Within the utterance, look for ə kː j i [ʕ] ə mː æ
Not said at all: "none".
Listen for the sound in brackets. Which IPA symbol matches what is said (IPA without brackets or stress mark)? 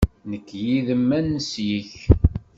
ð